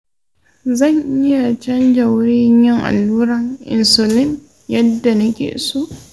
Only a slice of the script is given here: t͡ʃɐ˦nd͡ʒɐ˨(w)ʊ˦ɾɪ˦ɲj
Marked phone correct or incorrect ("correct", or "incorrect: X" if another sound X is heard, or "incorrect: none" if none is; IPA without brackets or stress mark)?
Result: correct